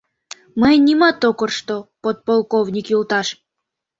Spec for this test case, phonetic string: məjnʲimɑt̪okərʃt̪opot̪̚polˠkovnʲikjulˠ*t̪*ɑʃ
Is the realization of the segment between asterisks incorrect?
no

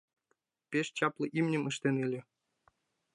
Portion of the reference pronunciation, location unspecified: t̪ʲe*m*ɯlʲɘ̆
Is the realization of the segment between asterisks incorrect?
yes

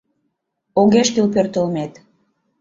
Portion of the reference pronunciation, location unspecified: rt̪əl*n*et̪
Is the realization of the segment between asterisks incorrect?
yes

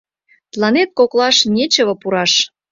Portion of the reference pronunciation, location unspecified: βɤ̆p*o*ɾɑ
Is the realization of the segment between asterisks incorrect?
yes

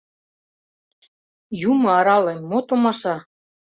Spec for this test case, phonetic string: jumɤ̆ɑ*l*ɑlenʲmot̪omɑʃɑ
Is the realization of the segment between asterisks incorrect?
yes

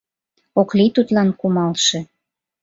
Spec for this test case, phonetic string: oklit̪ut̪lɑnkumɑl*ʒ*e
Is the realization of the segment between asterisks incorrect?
yes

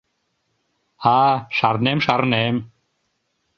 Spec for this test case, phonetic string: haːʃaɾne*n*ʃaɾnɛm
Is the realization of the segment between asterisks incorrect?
yes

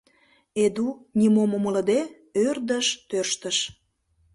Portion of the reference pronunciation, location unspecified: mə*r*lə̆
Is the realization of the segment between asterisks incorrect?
yes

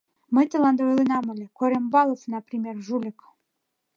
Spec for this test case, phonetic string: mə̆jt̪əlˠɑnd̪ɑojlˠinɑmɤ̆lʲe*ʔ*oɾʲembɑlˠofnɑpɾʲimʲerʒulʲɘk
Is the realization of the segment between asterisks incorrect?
yes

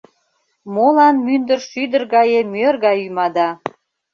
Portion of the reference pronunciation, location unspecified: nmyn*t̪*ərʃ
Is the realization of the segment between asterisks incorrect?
yes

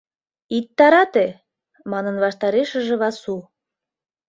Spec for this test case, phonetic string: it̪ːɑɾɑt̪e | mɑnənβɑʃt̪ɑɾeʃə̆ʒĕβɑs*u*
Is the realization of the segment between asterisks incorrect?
no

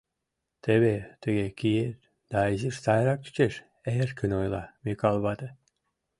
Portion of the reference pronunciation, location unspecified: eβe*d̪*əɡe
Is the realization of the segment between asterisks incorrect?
yes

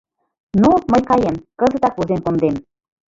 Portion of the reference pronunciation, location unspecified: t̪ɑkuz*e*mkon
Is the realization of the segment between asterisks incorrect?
no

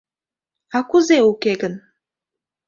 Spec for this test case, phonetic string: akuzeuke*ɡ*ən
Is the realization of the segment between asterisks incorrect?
no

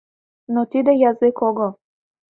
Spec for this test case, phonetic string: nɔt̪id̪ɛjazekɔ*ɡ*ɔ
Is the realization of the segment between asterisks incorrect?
no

